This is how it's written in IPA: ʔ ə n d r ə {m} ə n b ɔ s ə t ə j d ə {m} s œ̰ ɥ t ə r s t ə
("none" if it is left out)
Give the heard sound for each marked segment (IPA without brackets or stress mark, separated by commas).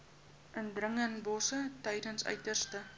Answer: ŋ, n